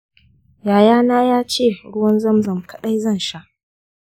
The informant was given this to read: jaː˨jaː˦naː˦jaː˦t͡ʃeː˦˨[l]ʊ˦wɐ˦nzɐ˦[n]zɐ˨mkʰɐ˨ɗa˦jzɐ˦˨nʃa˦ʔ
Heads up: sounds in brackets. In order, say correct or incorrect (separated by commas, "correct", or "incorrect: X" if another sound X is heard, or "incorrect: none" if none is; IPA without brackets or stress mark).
incorrect: ɽ, incorrect: m